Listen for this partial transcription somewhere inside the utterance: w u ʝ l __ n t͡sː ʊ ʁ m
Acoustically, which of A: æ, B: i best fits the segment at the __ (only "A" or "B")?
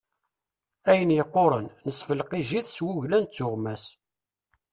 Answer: A